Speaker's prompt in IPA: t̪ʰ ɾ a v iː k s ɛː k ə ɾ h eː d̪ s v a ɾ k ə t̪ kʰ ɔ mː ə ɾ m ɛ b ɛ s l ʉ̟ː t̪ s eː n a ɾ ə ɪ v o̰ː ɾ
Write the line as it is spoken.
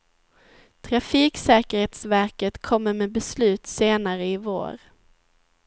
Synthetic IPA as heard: t̪ʰ ɾ a f iː k s ɛː k ə ɾ h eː t̪ s v æ ɾ k ə t̪ kʰ ɔ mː ə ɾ m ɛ b ɛ s l ʉ̟ː t̪ s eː n a ɾ ə ɪ v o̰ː ɾ

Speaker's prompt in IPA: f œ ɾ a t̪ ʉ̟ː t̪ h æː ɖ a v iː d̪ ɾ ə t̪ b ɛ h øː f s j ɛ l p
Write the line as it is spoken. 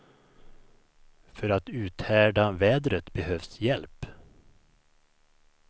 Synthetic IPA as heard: f œ ɾ a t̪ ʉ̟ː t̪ h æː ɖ a v ɛː d̪ ɾ ə t̪ b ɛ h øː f s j ɛ l p

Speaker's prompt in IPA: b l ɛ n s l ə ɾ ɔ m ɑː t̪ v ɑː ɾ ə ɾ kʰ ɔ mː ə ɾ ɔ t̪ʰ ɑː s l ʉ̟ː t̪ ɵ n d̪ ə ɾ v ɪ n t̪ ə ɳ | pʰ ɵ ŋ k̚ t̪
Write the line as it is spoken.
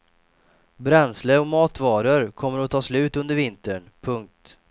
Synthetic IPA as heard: b ɾ ɛ n s l ə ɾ ɔ m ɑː t̪ v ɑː ɾ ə ɾ kʰ ɔ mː ə ɾ ɔ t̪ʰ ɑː s l ʉ̟ː t̪ ɵ n d̪ ə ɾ v ɪ n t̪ ə ɳ | pʰ ɵ ŋ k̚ t̪

